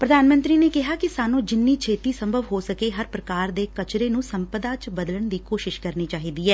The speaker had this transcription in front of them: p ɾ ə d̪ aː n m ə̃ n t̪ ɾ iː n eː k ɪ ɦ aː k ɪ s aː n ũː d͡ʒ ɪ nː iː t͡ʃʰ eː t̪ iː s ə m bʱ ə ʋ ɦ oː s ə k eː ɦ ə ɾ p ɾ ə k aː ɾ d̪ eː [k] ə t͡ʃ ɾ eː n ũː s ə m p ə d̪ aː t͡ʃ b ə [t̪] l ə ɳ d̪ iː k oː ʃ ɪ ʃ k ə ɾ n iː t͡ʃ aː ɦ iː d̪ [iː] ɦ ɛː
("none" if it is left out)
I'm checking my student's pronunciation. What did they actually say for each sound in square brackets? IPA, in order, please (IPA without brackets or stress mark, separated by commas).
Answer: k, d̪, iː